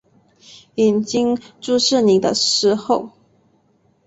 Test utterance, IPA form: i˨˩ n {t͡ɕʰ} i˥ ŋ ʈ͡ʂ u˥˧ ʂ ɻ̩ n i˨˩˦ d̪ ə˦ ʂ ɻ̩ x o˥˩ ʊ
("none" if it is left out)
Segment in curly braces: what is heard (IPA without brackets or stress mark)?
t͡ɕ